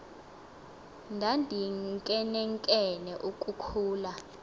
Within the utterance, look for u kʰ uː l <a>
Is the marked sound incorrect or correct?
correct